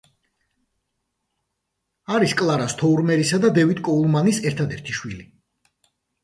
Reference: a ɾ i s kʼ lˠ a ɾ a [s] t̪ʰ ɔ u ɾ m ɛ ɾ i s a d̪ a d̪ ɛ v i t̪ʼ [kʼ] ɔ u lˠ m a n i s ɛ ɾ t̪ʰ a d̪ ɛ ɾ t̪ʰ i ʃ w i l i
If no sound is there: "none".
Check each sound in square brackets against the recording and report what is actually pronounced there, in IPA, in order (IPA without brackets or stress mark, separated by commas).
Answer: s, kʼ